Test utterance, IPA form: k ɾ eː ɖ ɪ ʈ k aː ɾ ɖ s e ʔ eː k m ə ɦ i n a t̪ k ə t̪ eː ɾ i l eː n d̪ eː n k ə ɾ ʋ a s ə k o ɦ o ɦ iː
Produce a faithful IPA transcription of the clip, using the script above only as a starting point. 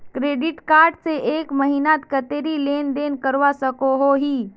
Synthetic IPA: k ɾ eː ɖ ɪ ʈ k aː ɾ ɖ s e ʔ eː k m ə ɦ i n a t̪ k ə t̪ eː ɾ i l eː n d̪ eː n k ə ɾ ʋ a s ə k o ɦ o ɦ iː